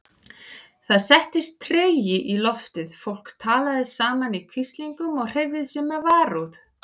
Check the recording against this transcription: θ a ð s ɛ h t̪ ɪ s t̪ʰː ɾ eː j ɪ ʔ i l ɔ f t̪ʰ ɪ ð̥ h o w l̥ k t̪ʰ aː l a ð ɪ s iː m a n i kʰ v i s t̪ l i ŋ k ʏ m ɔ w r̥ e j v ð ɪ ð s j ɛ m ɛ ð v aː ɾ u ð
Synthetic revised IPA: θ a ð s ɛ h t̪ ɪ s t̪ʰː ɾ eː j ɪ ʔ i l ɔ f t̪ ɪ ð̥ f o w l̥ k t̪ʰ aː l a ð ɪ s aː m a n i kʰ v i s t̪ l i ŋ k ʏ m ɔ ɣ r̥ e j v ð ɪ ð s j ɛ m ɛ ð v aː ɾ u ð